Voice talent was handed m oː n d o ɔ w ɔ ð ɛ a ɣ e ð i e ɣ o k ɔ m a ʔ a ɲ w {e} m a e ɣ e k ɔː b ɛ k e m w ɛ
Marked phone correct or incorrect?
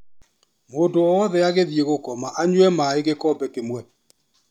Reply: incorrect